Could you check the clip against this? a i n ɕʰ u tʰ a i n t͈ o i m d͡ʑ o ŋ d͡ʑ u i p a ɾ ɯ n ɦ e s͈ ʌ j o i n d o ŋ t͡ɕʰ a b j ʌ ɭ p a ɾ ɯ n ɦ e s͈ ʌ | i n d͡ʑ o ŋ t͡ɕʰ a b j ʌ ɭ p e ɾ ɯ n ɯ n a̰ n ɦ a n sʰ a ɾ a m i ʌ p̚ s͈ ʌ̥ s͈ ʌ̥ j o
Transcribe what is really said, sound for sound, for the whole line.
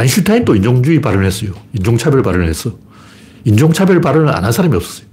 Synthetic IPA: a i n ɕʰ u tʰ a i n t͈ o i n d͡ʑ o ŋ d͡ʑ u i p a ɾ ɯ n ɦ e s͈ ʌ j o i n d͡ʑ o ŋ t͡ɕʰ a b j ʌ ɭ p a ɾ ɯ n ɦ e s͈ ʌ | i n d͡ʑ o ŋ t͡ɕʰ a b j ʌ ɭ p a ɾ ɯ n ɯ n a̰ n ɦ a n sʰ a ɾ a m i ʌ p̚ s͈ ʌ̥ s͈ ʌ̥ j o